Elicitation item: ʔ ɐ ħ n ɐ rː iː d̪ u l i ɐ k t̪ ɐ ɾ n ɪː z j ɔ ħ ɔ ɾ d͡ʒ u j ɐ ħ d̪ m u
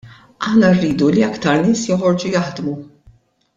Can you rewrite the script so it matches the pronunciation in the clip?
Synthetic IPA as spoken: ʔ ɐ ħ n ɐ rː iː d̪ u l i ɐ k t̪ ɐ ɾ n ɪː s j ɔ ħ ɔ ɾ d͡ʒ u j ɐ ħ d̪ m u